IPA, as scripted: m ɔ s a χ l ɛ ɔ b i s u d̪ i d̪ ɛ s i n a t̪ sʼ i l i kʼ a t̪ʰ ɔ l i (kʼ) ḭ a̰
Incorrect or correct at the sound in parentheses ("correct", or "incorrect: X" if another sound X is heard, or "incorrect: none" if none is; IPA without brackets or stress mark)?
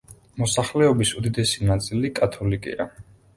correct